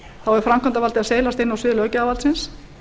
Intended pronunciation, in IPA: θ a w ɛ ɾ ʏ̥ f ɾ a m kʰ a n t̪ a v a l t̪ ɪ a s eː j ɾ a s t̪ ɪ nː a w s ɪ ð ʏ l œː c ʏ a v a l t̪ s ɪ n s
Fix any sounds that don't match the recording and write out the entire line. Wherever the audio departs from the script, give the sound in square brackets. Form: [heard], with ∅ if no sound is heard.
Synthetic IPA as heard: θ a w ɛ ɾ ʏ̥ f ɾ a m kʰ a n t̪ a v a l t̪ ɪ a s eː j [l] a s t̪ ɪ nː a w s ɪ ð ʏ l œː c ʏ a v a l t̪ s ɪ n s